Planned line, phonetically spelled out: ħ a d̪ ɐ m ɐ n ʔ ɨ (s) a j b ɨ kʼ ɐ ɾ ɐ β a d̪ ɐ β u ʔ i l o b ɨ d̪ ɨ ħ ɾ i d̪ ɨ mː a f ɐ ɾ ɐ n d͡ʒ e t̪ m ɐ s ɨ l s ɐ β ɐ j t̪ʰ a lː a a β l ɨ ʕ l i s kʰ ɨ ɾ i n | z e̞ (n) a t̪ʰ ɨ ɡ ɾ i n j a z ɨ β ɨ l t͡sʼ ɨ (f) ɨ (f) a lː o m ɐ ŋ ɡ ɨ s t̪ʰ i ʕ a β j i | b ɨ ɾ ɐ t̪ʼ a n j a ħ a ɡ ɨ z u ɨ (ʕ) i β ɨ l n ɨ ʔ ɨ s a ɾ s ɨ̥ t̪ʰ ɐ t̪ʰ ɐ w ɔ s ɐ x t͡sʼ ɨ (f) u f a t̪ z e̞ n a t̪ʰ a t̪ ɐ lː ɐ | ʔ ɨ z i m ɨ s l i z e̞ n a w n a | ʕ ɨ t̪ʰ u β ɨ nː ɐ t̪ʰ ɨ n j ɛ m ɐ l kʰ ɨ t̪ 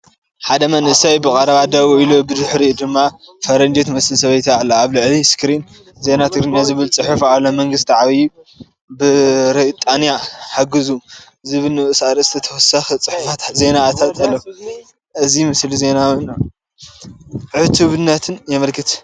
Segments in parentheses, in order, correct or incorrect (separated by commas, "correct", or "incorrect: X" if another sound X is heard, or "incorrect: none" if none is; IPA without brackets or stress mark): correct, correct, incorrect: ħ, correct, incorrect: z, incorrect: ħ